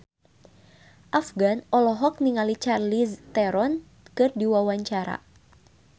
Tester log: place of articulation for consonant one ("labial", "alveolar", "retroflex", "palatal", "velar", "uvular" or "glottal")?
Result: glottal